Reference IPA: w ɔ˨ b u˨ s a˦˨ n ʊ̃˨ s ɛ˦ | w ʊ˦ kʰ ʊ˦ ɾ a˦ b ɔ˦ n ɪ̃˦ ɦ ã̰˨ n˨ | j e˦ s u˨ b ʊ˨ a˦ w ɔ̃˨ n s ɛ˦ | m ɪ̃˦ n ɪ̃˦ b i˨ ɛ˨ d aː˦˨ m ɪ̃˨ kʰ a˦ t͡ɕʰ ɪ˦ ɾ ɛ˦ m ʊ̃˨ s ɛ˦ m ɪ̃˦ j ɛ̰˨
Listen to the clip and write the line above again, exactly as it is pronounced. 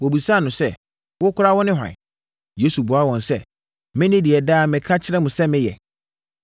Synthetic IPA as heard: w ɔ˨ b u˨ s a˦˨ n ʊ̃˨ s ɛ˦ | w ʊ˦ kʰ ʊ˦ ɾ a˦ w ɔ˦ n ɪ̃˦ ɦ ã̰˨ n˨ | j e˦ s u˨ b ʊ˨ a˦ w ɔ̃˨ n s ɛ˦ | m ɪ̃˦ n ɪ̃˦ d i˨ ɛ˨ d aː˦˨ m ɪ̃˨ kʰ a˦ t͡ɕʰ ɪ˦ ɾ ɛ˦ m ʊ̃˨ s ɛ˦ m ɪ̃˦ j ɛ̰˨